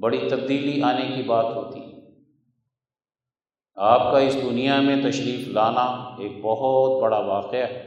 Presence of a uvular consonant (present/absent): present